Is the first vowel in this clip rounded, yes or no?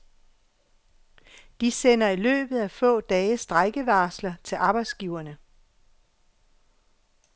no